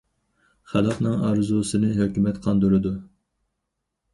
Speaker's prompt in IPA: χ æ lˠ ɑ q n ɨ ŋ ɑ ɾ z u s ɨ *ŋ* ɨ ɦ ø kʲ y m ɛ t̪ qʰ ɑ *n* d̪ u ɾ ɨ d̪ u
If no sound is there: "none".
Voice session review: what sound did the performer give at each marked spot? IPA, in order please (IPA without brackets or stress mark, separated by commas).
n, n